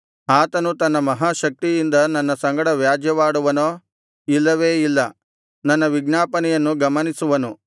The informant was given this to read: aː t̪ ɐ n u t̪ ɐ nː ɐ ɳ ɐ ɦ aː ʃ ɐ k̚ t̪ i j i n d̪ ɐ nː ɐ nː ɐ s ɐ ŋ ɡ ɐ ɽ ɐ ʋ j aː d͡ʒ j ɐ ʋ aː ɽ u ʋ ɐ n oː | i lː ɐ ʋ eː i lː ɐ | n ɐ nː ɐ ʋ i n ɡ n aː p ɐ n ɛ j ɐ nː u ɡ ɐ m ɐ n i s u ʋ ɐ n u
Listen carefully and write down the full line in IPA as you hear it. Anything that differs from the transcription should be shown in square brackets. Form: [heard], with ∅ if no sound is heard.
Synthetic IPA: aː t̪ ɐ n u t̪ ɐ nː ɐ [m] ɐ ɦ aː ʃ ɐ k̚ t̪ i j i n d̪ ɐ [n] ɐ nː ɐ s ɐ ŋ ɡ ɐ ɽ ɐ ʋ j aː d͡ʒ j ɐ ʋ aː ɽ u ʋ ɐ n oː | i lː ɐ ʋ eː i lː ɐ | n ɐ nː ɐ ʋ i [∅] ɡ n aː p ɐ n ɛ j ɐ nː u ɡ ɐ m ɐ n i s u ʋ ɐ n u